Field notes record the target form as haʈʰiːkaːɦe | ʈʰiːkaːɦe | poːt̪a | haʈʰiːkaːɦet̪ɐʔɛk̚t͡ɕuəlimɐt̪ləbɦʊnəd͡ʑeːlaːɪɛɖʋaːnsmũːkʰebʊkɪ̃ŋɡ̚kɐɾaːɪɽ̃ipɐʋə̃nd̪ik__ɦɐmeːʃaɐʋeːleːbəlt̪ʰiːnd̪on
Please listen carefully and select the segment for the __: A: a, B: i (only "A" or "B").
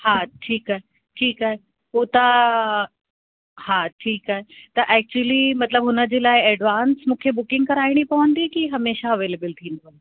B